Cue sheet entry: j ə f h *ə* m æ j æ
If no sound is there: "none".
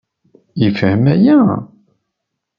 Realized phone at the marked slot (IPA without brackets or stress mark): ə